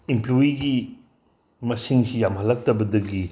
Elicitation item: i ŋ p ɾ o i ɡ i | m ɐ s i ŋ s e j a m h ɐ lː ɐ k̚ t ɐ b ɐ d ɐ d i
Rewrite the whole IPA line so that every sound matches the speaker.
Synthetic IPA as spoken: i m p l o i ɡ i | m ɐ s i ŋ s i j a m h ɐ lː ɐ k̚ t ɐ b ɐ d ɐ ɡ i